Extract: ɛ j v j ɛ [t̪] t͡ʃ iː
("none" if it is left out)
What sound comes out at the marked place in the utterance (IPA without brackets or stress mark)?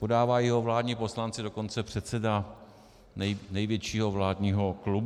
none